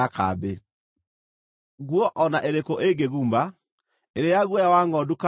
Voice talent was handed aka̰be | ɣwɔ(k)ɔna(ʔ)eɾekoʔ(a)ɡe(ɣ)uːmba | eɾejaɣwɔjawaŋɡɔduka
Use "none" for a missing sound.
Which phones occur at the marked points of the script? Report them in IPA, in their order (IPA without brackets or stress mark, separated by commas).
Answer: ʔ, ʔ, e, ɣ